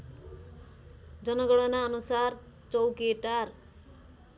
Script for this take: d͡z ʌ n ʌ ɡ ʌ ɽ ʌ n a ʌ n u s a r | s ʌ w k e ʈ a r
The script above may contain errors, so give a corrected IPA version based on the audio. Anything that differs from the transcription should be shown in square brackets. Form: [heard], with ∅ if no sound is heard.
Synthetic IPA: d͡z ʌ n ʌ ɡ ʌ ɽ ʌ n a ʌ n u s a r | [t͡s] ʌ w k e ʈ a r